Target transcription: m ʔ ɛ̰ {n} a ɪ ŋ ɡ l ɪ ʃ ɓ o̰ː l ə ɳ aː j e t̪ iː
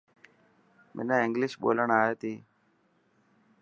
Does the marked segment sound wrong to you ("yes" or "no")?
no